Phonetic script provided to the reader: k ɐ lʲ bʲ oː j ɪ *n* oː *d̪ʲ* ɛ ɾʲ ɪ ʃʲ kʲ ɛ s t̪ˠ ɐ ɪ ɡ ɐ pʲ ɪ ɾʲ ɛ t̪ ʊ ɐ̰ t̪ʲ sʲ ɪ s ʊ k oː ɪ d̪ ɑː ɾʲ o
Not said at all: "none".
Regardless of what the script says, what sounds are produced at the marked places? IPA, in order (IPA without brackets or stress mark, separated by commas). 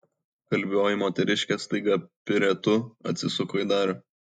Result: m, t̪ʲ